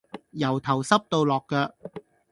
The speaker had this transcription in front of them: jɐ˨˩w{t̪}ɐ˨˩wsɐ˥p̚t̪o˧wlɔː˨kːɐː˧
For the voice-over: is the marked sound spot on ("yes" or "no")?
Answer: no